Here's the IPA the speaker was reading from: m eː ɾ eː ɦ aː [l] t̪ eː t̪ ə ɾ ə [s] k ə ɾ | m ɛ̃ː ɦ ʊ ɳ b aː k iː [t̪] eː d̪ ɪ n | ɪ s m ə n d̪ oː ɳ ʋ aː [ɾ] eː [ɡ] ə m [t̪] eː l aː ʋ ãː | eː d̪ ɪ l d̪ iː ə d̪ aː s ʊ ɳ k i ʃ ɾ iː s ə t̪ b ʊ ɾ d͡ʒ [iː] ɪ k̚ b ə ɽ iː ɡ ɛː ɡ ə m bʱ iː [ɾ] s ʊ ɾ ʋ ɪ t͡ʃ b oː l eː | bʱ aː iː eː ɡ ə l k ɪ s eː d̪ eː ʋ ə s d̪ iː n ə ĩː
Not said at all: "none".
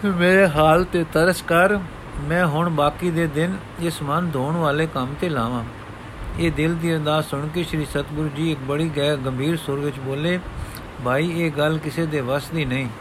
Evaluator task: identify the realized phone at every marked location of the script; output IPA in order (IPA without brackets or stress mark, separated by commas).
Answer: l, s, d̪, l, k, t̪, iː, ɾ